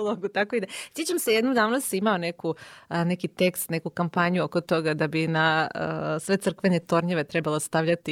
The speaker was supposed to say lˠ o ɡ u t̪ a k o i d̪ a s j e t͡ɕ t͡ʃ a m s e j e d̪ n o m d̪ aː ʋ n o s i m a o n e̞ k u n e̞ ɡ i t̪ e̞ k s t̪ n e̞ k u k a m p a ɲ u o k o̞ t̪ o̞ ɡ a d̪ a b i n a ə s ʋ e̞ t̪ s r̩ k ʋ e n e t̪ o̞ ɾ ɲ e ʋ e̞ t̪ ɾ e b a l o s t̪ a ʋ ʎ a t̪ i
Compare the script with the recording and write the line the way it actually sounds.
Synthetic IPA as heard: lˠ o ɡ u t̪ a k o i d̪ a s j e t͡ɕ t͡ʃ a m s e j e d̪ n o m d̪ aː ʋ n o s i m a o n e̞ k u n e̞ k i t̪ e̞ k s t̪ n e̞ k u k a m p a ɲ u o k o̞ t̪ o̞ ɡ a d̪ a b i n a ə s ʋ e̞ t̪ s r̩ k ʋ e n e t̪ o̞ ɾ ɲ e ʋ e̞ t̪ ɾ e b a l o s t̪ a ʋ ʎ a t̪ i